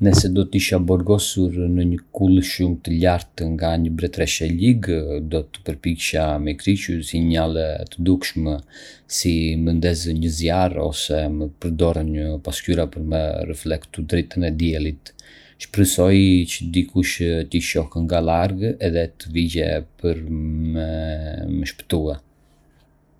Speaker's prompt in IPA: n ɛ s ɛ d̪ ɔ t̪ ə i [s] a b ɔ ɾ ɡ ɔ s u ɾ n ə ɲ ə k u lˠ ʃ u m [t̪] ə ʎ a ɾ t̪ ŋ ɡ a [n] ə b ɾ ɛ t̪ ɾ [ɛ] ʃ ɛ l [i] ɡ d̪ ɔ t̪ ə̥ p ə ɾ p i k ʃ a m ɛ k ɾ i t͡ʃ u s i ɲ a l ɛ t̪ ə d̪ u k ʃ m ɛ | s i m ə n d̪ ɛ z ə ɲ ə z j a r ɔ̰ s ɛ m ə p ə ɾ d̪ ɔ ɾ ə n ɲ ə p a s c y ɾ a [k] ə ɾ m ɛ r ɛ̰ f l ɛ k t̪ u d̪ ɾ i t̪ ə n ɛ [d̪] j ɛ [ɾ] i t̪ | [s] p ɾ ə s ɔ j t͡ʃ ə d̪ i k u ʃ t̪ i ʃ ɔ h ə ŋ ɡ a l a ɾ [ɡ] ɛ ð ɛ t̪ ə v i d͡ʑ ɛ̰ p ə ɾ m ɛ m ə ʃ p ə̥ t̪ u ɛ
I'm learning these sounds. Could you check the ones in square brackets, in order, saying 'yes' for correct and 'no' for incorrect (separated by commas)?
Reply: no, yes, no, yes, yes, no, yes, no, no, yes